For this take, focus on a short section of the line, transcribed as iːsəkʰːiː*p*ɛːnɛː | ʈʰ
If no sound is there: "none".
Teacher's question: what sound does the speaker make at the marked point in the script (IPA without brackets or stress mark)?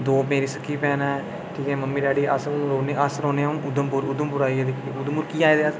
p